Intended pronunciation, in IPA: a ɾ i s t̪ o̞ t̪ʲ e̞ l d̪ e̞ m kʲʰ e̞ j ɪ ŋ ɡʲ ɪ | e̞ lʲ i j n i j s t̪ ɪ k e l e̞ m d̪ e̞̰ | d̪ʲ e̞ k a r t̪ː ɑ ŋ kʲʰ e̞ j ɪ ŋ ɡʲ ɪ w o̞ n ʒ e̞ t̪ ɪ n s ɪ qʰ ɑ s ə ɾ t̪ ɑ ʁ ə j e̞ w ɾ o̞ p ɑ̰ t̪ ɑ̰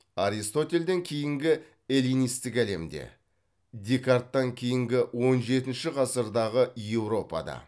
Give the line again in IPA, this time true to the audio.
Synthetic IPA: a ɾ i s t̪ o̞ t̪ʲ e̞ l d̪ e̞ ŋ kʲʰ e̞ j ɪ ŋ ɡʲ ɪ | e̞ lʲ i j n i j s t̪ ɪ k æ l e̞ m d̪ e̞̰ | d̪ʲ e̞ k a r t̪ː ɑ ŋ kʲʰ e̞ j ɪ ŋ ɡʲ ɪ w o̞ n ʒ e̞ t̪ ɪ n ʃ ɪ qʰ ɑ s ə ɾ d̪ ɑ ʁ ə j e̞ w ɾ o̞ p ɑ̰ d̪ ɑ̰

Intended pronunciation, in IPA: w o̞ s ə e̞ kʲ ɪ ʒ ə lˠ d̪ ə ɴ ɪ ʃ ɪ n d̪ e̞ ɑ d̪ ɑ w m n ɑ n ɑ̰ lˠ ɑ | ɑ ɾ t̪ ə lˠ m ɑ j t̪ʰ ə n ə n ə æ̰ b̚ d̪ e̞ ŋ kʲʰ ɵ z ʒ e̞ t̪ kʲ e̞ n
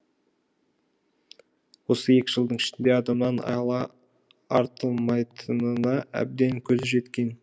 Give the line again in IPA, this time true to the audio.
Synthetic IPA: w o̞ s ə e̞ kʲ ɪ ʒ ə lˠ d̪ ə ɴ ɪ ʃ ɪ n d̪ e̞ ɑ d̪ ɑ m n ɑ n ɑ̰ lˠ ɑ | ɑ ɾ t̪ ə lˠ m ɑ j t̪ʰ ə n ə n ɑ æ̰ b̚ d̪ e̞ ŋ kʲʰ ɵ z ʒ e̞ t̪ kʲ e̞ n

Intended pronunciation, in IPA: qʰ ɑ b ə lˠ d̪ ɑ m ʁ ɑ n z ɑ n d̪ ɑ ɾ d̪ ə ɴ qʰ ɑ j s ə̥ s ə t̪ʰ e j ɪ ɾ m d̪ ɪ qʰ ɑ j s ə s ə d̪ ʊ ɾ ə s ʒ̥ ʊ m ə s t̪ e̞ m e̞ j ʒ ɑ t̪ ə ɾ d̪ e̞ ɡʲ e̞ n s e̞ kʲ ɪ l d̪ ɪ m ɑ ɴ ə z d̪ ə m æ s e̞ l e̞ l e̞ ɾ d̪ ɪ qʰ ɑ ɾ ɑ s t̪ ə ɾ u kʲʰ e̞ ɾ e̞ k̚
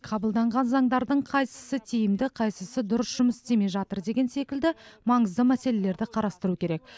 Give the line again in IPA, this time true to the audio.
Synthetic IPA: qʰ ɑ b ə lˠ d̪ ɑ ɴ ʁ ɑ n z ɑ ɴ d̪ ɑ ɾ d̪ ə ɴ qʰ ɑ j s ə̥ s ə t̪ʰ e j ɪ m d̪ ɪ qʰ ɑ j s ə s ə d̪ ʊ ɾ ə s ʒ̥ ʊ m ə s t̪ e̞ m e̞ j ʒ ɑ t̪ ə ɾ d̪ e̞ ɡʲ e̞ n s e̞ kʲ ɪ l d̪ ɪ m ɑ ɴ ə z d̪ ə m æ s e̞ l e̞ l e̞ ɾ d̪ ɪ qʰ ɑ ɾ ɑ s t̪ ə ɾ u kʲʰ e̞ ɾ e̞ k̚

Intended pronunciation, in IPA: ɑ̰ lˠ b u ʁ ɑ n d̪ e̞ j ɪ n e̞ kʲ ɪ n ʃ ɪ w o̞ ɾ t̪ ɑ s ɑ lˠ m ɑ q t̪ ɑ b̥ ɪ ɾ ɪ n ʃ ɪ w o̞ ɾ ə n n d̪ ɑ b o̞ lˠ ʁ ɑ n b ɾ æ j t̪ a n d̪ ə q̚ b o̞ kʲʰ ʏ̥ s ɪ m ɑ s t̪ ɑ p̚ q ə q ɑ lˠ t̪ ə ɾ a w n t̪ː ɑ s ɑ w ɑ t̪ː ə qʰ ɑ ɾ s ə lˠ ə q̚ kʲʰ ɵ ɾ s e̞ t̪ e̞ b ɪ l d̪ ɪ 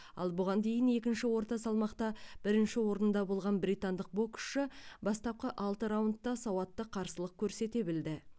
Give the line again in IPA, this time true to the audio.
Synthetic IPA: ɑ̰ lˠ b ʊ ʁ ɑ n d̪ e̞ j ɪ n e̞ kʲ ɪ n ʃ ɪ w o̞ ɾ t̪ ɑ s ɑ lˠ m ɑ q t̪ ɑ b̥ ɪ ɾ ɪ n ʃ ɪ w o̞ ɾ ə n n d̪ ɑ b o̞ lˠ ʁ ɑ n b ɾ i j t̪ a n d̪ ə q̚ b o̞ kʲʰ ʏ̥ ʃ ɪ b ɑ s t̪ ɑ p̚ q ə ʔ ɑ lˠ t̪ ə ɾ a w n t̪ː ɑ s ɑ w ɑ t̪ː ə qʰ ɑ ɾ s ə lˠ ə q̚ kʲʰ ɵ ɾ s e̞ t̪ e̞ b ɪ l d̪ ɪ

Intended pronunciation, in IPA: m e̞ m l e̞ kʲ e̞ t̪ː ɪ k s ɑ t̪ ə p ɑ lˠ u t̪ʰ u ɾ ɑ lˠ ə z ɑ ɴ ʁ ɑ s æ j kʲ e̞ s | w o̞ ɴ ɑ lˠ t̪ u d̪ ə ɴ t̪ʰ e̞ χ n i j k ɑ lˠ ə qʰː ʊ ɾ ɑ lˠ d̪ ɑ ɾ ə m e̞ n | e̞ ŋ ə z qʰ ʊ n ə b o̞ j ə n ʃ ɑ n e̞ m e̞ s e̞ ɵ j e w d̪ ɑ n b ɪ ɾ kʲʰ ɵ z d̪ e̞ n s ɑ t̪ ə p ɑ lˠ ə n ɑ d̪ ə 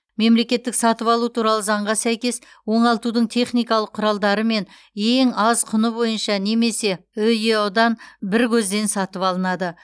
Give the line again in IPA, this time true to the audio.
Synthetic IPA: m e̞ m l e̞ kʲ e̞ t̪ː ɪ k s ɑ t̪ ə p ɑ lˠ u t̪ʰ u ɾ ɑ lˠ ə z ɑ ɴ ʁ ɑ s æ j kʲ e̞ s | w o̞ ɴ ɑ lˠ t̪ u d̪ ə ɴ t̪ʰ e̞ χ n i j k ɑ lˠ ə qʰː ʊ ɾ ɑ lˠ d̪ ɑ ɾ ə m e̞ n | e̞ ŋ ɑ z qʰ ʊ n ə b o̞ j ə n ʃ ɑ n e̞ m e̞ s e̞ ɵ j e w d̪ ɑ n b ɪ ɾ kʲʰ ɵ z d̪ e̞ n s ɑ t̪ ə p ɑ lˠ ə n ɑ d̪ ə

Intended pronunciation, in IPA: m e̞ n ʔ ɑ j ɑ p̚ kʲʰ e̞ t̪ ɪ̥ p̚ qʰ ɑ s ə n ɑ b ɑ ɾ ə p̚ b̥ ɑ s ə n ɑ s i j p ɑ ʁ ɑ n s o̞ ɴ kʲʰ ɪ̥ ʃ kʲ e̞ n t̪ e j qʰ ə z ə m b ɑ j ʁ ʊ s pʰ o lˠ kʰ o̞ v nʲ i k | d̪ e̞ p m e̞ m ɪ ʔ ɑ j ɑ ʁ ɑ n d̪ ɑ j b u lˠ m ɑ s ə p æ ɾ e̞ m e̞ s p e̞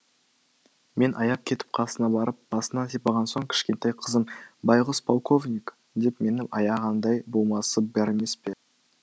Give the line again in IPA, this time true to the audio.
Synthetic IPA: m e̞ n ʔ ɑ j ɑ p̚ kʲʰ e̞ t̪ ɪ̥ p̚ qʰ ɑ s ə n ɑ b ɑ ɾ ə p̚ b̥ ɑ s ə n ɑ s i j p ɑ ʁ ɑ n s o̞ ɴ kʲʰ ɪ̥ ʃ kʲ e̞ n t̪ e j qʰ ə z ə m b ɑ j ʁ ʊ s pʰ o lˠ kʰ o̞ v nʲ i k | d̪ e̞ p m e̞ n ɪ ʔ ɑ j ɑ ʁ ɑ n d̪ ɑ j b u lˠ m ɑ s ə b æ ɾ e̞ m e̞ s p e̞

